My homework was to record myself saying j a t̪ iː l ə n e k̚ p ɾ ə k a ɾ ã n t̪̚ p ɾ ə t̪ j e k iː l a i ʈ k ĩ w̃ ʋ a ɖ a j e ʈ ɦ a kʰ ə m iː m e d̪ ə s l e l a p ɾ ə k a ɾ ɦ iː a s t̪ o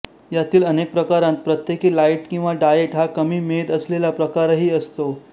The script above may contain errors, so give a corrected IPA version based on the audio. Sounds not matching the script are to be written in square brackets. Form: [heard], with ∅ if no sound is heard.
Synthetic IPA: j a t̪ iː l ə n e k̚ p ɾ ə k a ɾ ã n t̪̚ p ɾ ə t̪ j e k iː l a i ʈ k ĩ w̃ ʋ a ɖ a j e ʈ ɦ a [k] ə m iː m e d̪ ə s l e l a p ɾ ə k a ɾ ɦ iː [ə] s t̪ o